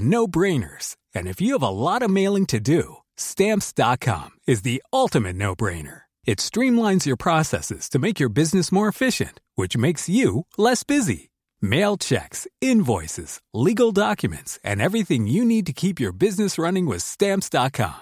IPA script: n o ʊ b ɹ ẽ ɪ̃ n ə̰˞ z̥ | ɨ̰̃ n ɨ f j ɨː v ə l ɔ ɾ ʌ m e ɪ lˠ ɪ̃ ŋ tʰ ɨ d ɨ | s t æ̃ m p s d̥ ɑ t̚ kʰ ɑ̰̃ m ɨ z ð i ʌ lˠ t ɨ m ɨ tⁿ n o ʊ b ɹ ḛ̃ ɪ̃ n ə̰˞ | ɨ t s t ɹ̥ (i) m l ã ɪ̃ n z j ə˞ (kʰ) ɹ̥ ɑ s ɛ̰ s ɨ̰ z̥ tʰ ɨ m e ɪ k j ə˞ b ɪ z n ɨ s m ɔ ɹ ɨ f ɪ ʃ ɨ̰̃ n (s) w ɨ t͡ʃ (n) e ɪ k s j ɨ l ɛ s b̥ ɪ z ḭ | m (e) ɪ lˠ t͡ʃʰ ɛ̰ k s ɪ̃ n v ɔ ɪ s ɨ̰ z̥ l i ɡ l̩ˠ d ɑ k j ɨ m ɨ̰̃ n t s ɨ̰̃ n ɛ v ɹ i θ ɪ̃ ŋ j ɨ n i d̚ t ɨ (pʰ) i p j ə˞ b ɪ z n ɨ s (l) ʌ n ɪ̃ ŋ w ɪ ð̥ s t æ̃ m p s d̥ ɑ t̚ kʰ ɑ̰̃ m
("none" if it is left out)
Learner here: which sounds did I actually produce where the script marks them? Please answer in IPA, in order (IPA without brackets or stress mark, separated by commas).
ĩ, pʰ, t, m, e, kʰ, ɹ